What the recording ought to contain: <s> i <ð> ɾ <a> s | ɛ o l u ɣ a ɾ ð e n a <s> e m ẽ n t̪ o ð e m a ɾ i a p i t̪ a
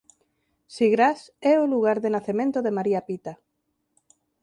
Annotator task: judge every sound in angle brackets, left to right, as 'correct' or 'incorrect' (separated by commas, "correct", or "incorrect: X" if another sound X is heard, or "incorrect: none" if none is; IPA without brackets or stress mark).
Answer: correct, incorrect: ɣ, correct, incorrect: θ